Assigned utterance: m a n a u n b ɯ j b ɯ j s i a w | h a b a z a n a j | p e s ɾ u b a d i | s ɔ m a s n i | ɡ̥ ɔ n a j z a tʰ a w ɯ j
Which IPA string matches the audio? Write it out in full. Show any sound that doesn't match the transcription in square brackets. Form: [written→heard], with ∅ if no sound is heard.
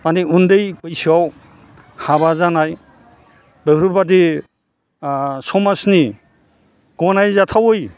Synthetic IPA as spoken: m a n [a→i] u n [b→d] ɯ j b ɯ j s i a w | h a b a z a n a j | [p→b] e [s→∅] ɾ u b a d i | s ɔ m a s n i | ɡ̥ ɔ n a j z a tʰ a w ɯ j